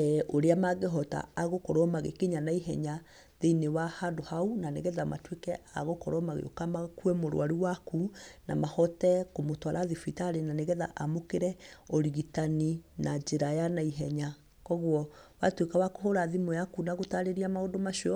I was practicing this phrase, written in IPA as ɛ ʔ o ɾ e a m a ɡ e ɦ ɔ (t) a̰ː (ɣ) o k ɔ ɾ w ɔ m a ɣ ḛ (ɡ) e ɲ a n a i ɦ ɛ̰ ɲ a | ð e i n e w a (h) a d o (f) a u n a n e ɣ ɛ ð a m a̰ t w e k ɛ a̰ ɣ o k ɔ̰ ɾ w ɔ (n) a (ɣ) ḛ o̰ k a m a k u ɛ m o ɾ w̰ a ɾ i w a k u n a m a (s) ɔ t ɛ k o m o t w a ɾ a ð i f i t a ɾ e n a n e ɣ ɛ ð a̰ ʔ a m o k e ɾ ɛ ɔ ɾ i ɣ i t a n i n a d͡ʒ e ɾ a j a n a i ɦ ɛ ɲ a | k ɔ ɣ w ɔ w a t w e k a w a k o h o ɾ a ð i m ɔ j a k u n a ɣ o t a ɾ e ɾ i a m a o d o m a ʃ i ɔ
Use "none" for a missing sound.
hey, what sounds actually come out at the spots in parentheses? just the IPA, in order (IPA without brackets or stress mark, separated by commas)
t, ɣ, k, h, h, m, ɣ, h